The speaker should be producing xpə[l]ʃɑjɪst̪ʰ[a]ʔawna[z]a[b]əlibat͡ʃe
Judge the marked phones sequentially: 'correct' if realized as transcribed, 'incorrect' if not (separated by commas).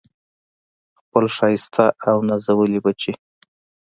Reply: correct, correct, correct, incorrect